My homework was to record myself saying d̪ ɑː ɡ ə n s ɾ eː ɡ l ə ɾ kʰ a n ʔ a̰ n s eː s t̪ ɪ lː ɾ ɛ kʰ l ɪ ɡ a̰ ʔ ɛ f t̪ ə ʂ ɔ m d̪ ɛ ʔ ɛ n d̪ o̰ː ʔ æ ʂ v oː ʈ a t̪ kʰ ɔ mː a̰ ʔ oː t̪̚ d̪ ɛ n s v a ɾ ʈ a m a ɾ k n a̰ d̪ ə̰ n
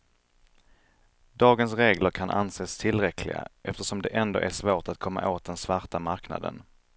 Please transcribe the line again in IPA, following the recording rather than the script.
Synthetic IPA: d̪ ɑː ɡ ə n s ɾ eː ɡ l ə ɾ kʰ a n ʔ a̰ n s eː s t̪ʰ ɪ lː ɾ ɛ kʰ l ɪ ɡ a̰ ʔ ɛ f t̪ ə ʂ ɔ m d̪ ɛ ʔ ɛ n d̪ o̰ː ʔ æ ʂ v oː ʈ a t̪ kʰ ɔ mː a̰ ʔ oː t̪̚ d̪ ɛ n s v a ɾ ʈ a m a ɾ k n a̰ d̪ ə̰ n